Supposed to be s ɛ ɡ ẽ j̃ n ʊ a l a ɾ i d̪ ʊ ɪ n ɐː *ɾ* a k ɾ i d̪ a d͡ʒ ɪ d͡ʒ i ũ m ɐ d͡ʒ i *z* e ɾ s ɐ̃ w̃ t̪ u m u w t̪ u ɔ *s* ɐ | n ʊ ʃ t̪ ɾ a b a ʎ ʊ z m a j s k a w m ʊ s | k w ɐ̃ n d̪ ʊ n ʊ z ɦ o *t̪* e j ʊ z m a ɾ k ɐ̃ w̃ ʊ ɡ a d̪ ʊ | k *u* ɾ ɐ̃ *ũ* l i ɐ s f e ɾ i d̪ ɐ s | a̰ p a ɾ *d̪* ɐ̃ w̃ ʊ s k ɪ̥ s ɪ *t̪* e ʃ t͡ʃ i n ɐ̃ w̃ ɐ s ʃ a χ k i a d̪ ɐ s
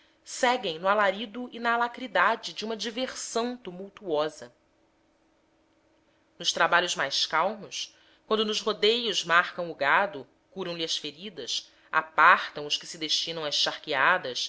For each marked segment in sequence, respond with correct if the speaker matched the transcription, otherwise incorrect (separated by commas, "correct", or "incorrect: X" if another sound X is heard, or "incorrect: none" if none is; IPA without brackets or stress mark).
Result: incorrect: l, incorrect: v, incorrect: z, incorrect: d̪, correct, incorrect: w̃, incorrect: t̪, incorrect: d̪